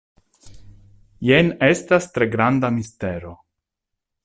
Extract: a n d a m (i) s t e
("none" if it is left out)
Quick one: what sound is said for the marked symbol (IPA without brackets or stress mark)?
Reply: i